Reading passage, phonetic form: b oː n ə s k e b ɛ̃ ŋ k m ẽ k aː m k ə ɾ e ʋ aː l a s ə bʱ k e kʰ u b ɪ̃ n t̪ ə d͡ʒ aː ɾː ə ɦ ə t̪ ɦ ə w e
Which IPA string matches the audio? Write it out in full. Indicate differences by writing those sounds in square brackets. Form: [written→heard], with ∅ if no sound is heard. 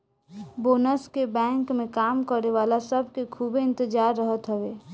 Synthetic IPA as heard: b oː n ə s k e b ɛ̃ ŋ k m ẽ k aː m k ə ɾ e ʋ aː l a s ə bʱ k e kʰ u b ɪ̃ n t̪ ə d͡ʒ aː ɾː ə ɦ ə t̪ ɦ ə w e